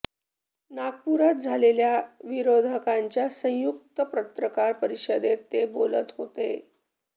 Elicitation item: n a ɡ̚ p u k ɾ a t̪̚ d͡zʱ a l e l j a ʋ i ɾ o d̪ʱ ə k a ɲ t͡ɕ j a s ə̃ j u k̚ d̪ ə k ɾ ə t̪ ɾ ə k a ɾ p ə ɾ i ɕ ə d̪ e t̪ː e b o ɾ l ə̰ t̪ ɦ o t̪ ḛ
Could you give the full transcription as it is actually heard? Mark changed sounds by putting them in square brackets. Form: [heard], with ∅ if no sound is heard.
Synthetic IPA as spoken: n a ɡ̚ p u [∅] ɾ a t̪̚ d͡zʱ a l e l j a ʋ i ɾ o d̪ʱ ə k a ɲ t͡ɕ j a s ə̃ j u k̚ [t̪] ə [p] ɾ ə t̪ ɾ ə k a ɾ p ə ɾ i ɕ ə d̪ e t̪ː e b o [∅] l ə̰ t̪ ɦ o t̪ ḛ